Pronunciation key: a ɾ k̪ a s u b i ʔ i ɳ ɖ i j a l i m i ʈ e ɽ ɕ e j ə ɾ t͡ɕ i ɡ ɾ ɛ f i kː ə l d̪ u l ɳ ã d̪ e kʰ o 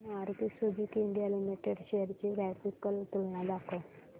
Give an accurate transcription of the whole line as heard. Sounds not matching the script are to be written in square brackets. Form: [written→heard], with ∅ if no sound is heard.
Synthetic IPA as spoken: a ɾ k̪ [a→i] s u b i [ʔ→k] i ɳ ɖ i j a l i m i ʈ e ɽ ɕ e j ə ɾ t͡ɕ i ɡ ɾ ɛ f i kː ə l [d̪→t̪] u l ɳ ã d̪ [e→a] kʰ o

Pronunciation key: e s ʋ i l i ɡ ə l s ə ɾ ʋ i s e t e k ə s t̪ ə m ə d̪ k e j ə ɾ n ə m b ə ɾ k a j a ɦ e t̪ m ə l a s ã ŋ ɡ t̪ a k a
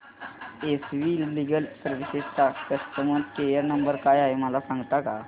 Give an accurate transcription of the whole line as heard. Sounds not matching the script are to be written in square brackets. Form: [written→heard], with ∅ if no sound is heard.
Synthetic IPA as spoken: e s ʋ i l i ɡ ə l s ə ɾ ʋ i s e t [e→a] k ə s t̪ ə m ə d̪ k e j ə ɾ n ə m b ə ɾ k a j a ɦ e [t̪→∅] m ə l a s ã ŋ ɡ t̪ a k a

